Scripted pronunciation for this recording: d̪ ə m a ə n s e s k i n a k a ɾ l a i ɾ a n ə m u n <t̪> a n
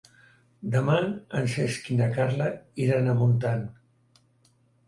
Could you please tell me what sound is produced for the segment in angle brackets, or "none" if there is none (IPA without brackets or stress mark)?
t̪